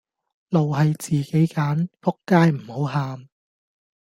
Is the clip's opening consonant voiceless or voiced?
voiced